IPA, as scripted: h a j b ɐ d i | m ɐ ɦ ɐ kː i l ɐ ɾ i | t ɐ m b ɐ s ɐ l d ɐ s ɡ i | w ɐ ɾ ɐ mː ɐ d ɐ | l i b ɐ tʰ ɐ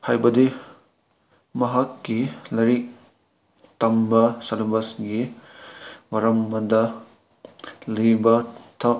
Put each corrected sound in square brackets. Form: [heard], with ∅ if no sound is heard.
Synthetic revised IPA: h a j b ɐ d i | m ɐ ɦ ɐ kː i l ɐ ɾ i | t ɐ m b ɐ s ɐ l [b] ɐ s ɡ i | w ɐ ɾ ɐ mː ɐ d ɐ | l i b ɐ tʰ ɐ

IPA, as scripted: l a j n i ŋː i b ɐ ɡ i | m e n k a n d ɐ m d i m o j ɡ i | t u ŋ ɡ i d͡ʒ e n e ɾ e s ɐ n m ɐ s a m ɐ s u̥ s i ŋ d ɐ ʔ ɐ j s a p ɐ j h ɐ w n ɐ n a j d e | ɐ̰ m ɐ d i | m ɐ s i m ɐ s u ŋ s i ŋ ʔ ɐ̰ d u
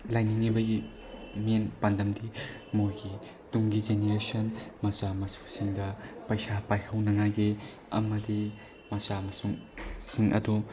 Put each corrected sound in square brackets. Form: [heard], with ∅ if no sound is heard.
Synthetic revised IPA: l a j n i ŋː i b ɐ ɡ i | m e n [p] a n d ɐ m d i m o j ɡ i | t u ŋ ɡ i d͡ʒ e n e ɾ e s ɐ n m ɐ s a m ɐ s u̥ s i ŋ d ɐ [p] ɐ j s a p [a] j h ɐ w n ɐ [ŋ] a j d e | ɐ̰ m ɐ d i | m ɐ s [a] m ɐ s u ŋ s i ŋ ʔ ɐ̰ d u

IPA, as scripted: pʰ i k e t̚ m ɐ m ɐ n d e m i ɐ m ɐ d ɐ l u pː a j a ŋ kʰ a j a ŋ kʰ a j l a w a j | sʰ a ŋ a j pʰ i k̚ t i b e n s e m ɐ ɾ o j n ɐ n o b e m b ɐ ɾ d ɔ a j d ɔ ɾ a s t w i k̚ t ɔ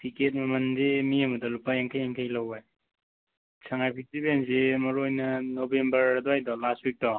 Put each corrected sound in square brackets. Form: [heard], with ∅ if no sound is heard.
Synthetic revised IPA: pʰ i k e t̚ m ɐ m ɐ n d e m i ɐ m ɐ d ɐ l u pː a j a ŋ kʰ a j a ŋ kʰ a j l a w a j | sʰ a ŋ a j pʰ i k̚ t i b e n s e m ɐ ɾ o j n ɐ n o b e m b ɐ ɾ d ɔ a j d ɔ [l] a s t w i k̚ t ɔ

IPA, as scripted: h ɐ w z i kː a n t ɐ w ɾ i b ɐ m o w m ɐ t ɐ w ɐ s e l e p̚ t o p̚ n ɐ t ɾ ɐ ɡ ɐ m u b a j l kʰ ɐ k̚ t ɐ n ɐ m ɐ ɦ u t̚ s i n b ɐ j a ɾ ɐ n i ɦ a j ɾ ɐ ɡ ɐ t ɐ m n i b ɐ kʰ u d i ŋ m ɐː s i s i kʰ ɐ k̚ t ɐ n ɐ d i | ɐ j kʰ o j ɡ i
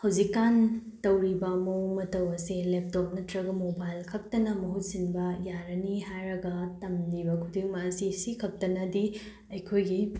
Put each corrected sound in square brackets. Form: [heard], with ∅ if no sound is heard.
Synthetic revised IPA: h ɐ w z i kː a n t ɐ w ɾ i b ɐ m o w m ɐ t ɐ w ɐ s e l e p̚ t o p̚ n ɐ t ɾ ɐ ɡ ɐ m [o] b a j l kʰ ɐ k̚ t ɐ n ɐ m ɐ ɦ u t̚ s i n b ɐ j a ɾ ɐ n i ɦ a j ɾ ɐ ɡ ɐ t ɐ m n i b ɐ kʰ u d i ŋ m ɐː s i s i kʰ ɐ k̚ t ɐ n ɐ d i | ɐ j kʰ o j ɡ i

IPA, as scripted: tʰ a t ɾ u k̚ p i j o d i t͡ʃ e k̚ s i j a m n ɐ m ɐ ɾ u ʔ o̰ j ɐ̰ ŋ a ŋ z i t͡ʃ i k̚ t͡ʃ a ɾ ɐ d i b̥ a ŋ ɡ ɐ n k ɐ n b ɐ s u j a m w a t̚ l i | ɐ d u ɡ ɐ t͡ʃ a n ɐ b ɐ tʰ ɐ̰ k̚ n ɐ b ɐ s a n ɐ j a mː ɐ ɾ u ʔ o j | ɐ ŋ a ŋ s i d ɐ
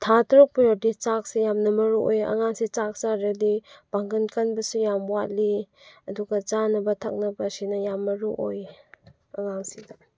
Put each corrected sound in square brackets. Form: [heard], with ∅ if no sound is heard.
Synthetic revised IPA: tʰ a t ɾ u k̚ p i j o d i t͡ʃ [a] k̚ s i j a m n ɐ m ɐ ɾ u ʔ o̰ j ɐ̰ ŋ a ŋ [s] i t͡ʃ [a] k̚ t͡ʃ a ɾ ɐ d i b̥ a ŋ ɡ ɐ n k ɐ n b ɐ s u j a m w a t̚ l i | ɐ d u ɡ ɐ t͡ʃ a n ɐ b ɐ tʰ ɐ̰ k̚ n ɐ b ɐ s [i] n ɐ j a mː ɐ ɾ u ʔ o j | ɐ ŋ a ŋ s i d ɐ

